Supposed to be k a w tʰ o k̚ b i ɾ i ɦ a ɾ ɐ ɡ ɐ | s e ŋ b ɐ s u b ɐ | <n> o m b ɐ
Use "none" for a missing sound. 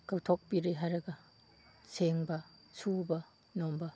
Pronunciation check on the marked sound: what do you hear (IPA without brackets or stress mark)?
n